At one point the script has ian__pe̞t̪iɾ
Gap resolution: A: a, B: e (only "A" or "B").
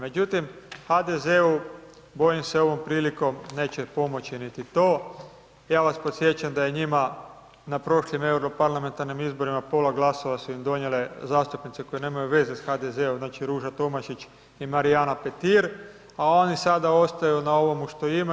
A